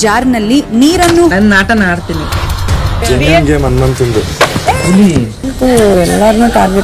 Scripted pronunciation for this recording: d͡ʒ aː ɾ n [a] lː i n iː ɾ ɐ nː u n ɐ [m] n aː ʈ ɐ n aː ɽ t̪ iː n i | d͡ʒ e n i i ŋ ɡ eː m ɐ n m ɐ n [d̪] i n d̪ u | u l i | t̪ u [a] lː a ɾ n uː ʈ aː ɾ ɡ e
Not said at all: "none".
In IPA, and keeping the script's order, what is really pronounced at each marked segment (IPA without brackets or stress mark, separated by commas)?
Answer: ɐ, n, t̪, ɛ